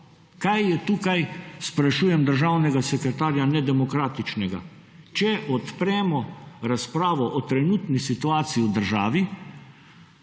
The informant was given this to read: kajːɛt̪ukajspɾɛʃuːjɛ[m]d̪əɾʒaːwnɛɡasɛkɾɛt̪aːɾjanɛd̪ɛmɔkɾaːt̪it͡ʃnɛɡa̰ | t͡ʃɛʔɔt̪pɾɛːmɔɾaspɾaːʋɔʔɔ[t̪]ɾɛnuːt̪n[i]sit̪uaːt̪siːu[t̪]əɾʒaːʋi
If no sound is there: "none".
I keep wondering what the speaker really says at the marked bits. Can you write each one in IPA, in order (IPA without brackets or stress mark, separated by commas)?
m, t̪, i, d̪